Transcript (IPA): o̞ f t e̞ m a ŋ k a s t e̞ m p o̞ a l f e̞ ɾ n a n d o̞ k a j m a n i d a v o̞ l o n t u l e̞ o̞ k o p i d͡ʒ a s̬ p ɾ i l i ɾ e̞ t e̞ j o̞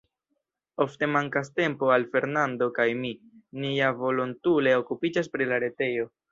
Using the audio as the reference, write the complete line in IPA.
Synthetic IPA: o̞ f t e̞ m a ŋ k a s t e̞ m p o̞ a l f e̞ ɾ n a n d o̞ k a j m i n i a v o̞ l o n t u l e̞ o̞ k u p i d͡ʒ a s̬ p ɾ i l a ɾ e̞ t e̞ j o̞